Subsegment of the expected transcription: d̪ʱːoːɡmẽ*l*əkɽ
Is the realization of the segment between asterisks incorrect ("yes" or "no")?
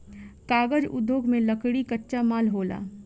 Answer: no